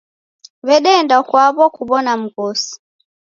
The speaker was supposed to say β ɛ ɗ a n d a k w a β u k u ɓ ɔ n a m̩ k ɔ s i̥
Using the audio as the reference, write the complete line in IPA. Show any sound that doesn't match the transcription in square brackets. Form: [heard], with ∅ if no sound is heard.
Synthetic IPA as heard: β ɛ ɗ [ɛ] n d a k w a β [ɔ] k u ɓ ɔ n a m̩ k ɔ s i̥